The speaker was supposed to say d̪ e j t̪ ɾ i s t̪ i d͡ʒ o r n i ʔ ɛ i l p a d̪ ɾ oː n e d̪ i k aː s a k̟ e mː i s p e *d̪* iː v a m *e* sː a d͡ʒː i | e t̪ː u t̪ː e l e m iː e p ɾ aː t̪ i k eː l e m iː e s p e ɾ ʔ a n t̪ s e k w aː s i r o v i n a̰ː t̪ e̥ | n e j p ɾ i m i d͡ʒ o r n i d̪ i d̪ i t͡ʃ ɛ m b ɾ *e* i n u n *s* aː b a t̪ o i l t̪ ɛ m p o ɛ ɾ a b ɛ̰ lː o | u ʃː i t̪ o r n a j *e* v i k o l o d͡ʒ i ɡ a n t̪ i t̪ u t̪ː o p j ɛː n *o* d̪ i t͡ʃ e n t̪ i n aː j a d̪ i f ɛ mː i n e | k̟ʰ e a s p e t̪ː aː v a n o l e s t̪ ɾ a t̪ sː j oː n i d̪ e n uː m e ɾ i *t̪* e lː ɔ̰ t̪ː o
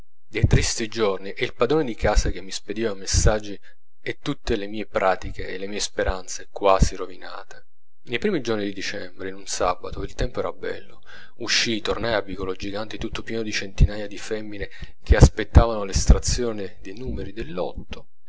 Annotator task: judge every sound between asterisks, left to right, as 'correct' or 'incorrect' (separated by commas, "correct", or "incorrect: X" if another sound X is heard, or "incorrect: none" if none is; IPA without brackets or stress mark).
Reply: correct, correct, correct, correct, incorrect: a, correct, incorrect: d̪